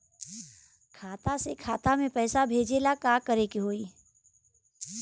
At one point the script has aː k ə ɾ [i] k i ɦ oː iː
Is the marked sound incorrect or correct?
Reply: incorrect